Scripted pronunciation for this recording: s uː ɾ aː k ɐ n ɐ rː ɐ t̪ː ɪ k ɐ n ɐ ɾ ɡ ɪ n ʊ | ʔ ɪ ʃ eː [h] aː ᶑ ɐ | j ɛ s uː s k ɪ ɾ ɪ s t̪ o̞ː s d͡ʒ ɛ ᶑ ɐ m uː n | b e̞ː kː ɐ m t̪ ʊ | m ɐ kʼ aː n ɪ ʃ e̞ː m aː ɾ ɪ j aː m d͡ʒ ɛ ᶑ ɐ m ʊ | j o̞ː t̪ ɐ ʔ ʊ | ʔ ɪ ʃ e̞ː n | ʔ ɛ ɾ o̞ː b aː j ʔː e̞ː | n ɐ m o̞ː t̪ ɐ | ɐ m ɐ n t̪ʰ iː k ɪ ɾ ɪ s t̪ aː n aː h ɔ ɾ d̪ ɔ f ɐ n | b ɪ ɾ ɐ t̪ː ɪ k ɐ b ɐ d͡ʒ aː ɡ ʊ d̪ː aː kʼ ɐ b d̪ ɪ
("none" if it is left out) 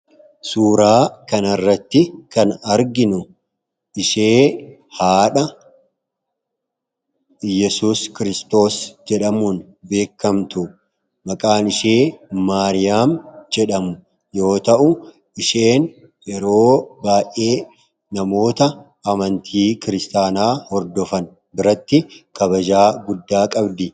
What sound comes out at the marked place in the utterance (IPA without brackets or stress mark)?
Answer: h